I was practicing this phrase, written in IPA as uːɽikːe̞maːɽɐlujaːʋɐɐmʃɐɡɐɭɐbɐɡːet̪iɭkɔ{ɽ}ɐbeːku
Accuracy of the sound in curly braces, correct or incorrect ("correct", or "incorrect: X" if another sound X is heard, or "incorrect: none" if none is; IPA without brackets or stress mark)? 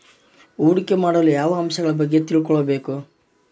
incorrect: ɭ